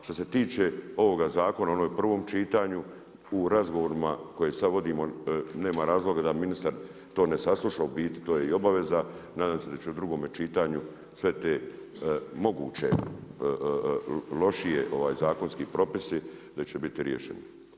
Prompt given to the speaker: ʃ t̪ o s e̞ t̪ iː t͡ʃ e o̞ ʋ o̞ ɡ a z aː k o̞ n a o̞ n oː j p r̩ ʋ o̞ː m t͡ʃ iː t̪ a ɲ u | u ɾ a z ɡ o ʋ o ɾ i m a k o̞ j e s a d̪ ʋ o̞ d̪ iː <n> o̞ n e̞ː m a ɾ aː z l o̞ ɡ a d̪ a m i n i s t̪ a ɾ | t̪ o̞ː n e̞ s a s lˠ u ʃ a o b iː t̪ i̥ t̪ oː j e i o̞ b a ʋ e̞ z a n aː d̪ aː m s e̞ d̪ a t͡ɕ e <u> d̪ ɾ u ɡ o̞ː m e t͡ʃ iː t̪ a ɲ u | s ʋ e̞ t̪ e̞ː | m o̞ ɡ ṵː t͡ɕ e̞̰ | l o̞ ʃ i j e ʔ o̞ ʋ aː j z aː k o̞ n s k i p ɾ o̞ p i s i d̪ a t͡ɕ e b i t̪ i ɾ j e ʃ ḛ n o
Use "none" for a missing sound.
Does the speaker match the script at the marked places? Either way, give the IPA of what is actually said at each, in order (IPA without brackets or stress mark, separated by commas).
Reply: m, u